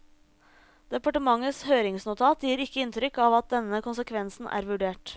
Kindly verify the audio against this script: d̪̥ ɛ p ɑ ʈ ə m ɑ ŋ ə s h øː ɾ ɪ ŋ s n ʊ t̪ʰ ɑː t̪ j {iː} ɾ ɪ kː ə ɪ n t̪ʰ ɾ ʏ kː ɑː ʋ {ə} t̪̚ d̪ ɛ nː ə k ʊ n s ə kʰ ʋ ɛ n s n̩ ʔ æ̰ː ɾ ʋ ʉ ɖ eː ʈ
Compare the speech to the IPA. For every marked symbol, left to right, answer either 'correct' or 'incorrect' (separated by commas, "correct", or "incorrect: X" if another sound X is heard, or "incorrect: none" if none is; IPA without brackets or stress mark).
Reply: correct, incorrect: ɑ